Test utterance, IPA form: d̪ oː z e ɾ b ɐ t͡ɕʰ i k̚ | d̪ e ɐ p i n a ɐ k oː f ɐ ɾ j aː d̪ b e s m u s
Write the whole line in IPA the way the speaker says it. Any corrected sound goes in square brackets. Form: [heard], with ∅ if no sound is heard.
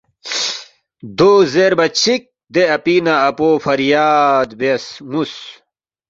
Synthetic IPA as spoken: d̪ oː z e ɾ b ɐ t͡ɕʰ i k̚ | d̪ e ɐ p i n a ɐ [p] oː f ɐ ɾ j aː d̪ b e s m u s